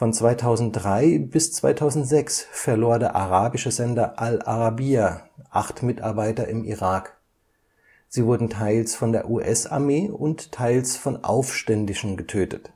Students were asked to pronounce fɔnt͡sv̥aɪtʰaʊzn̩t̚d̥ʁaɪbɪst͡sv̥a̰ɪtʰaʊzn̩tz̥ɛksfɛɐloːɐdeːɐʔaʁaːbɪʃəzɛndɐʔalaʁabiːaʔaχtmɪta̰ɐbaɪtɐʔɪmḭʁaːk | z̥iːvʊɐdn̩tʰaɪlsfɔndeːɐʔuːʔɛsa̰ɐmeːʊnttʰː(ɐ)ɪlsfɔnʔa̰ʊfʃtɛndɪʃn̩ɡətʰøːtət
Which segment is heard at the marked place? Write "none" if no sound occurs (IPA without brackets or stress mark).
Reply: a